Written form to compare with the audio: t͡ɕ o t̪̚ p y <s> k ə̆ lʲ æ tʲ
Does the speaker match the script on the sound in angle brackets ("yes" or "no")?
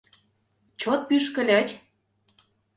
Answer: no